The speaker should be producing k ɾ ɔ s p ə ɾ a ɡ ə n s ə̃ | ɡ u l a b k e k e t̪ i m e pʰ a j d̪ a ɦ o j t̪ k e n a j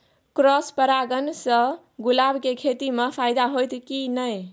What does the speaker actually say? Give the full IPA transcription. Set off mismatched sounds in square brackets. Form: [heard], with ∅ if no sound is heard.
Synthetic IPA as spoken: k ɾ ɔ s p ə ɾ a ɡ ə n s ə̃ | ɡ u l a b k e [kʰ] e t̪ i m e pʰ a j d̪ a ɦ o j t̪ k [i] n [ə] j